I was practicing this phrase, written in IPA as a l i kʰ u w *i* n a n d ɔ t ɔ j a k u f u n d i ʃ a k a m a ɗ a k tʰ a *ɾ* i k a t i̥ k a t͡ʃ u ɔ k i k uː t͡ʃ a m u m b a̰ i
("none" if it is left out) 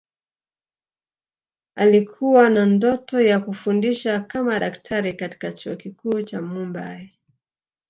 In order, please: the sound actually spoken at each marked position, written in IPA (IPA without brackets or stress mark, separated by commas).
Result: a, ɾ